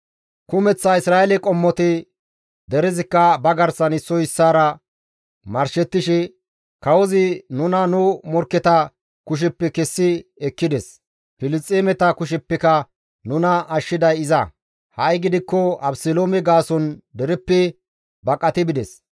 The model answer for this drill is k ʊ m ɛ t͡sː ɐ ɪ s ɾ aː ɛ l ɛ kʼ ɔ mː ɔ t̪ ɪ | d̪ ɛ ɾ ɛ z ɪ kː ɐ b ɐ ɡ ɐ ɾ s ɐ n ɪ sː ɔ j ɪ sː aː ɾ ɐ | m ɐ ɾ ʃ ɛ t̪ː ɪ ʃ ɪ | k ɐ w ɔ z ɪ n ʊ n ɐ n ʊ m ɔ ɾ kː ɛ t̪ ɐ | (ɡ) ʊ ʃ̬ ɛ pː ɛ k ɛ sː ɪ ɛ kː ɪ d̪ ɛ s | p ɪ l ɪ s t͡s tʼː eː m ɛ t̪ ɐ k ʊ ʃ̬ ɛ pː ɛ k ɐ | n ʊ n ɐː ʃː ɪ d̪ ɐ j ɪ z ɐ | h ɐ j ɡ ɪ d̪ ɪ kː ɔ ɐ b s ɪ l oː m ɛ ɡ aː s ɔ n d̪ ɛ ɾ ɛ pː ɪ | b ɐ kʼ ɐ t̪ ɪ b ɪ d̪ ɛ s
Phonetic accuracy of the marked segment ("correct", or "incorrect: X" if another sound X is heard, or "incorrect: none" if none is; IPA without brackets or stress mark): incorrect: k